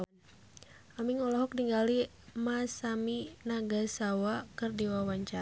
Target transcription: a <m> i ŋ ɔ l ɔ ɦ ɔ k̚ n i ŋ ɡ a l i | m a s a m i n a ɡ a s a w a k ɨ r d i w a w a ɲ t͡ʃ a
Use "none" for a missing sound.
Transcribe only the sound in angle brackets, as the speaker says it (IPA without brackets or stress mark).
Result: m